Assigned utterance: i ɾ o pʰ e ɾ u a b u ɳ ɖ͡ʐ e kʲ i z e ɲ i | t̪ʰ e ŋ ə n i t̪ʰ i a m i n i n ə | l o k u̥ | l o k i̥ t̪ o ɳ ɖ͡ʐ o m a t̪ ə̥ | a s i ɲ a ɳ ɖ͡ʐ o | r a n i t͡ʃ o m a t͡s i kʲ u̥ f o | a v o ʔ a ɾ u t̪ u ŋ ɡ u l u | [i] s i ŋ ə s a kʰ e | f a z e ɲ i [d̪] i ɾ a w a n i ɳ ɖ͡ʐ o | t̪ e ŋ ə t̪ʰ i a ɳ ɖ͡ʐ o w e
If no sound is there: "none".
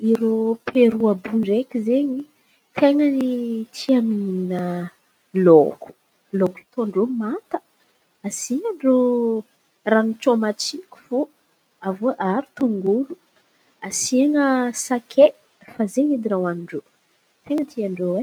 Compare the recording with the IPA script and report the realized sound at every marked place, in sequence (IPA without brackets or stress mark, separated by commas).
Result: a, d̪